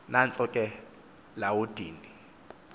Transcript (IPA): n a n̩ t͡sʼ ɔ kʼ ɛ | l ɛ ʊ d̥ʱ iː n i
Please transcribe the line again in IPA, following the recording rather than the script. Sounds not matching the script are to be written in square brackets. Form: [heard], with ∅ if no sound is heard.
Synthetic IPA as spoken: n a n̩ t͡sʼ ɔ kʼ ɛ | l [a] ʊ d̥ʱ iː n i